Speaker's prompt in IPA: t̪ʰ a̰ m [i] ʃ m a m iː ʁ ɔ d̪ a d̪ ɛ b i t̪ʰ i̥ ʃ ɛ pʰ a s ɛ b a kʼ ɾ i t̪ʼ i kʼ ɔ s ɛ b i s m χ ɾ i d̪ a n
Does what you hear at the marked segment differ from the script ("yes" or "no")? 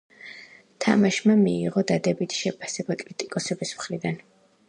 yes